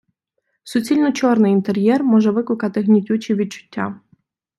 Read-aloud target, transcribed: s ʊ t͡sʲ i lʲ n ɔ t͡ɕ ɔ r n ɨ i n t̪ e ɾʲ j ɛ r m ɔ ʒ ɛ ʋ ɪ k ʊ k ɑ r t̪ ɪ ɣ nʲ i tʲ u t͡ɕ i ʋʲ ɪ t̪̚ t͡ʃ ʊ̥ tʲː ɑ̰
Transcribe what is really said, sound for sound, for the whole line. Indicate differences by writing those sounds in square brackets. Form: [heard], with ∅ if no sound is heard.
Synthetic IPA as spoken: s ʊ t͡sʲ i lʲ n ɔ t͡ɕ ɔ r n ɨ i n t̪ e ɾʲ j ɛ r m ɔ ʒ ɛ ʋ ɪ k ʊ k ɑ [∅] t̪ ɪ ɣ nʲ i tʲ u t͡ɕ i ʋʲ [i] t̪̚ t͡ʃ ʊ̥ tʲː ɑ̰